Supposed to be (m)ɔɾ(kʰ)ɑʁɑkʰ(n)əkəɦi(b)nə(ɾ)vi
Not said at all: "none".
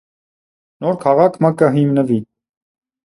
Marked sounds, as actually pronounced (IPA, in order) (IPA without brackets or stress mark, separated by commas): n, kʰ, m, m, none